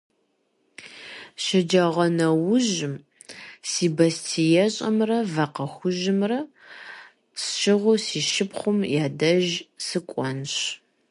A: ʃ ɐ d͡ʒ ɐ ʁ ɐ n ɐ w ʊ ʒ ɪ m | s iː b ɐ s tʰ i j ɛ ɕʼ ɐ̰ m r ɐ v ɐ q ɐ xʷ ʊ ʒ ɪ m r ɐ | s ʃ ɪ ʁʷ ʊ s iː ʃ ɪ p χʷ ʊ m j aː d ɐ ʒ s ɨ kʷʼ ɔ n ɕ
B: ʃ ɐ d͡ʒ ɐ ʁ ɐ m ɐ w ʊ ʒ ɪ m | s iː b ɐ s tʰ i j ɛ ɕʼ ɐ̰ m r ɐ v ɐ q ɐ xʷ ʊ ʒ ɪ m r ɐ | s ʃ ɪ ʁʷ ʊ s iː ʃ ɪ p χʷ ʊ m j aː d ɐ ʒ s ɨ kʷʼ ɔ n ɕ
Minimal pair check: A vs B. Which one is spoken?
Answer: A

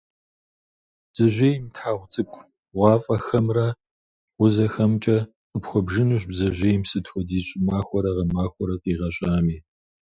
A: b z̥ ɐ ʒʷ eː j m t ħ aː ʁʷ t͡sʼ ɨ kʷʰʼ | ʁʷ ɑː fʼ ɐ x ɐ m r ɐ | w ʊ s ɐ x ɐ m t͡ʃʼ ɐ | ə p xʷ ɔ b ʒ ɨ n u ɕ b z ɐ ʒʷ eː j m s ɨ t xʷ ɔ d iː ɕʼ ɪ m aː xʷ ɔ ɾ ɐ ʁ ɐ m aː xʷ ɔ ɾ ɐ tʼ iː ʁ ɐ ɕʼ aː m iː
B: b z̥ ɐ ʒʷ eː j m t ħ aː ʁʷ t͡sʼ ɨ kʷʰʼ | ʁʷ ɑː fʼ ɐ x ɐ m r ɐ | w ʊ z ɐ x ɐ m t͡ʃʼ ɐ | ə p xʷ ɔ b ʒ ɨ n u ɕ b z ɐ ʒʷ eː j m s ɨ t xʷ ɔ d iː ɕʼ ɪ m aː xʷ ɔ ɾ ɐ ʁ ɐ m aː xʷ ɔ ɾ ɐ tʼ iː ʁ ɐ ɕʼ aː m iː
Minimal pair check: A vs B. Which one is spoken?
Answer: B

